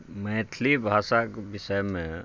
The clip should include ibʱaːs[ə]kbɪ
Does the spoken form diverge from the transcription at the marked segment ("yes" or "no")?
yes